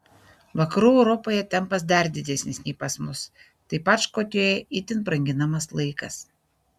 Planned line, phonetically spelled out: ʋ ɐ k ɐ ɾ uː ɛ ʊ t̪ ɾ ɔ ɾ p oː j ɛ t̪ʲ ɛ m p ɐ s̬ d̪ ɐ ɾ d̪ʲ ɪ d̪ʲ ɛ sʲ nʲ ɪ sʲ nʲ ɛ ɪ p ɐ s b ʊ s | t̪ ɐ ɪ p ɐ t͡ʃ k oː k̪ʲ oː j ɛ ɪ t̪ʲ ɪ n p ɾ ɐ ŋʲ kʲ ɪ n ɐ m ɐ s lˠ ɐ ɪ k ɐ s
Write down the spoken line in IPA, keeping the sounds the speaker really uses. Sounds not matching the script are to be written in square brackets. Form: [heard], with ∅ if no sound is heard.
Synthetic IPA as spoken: ʋ ɐ k ɐ ɾ uː ɛ ʊ [∅] ɾ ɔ [∅] p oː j ɛ t̪ʲ ɛ m p ɐ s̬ d̪ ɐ ɾ d̪ʲ ɪ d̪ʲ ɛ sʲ nʲ ɪ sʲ nʲ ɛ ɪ p ɐ s [m] ʊ s | t̪ ɐ ɪ p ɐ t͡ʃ k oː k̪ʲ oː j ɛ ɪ t̪ʲ ɪ n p ɾ ɐ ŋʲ [ɡʲ] ɪ n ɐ m ɐ s lˠ ɐ ɪ k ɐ s

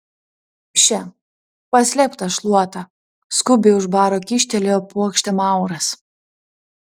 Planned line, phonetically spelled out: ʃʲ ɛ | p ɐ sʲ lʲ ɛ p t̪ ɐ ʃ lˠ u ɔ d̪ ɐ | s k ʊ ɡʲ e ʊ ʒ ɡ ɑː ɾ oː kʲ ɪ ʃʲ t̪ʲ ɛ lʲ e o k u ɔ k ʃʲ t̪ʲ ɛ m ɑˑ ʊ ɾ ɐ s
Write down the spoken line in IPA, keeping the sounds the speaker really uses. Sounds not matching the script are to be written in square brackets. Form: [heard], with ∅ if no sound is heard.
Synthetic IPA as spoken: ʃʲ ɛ | p ɐ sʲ lʲ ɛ p t̪ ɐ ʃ lˠ u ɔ [t̪] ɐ | s k ʊ [bʲ] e ʊ ʒ [b] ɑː ɾ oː kʲ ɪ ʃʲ t̪ʲ ɛ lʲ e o [p] u ɔ k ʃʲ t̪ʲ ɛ m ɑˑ ʊ ɾ ɐ s

